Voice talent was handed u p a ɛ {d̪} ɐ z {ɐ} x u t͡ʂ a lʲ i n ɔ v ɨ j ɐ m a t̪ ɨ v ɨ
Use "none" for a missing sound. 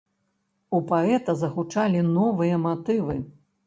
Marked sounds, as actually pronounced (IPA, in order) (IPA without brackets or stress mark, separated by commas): t̪, ɐ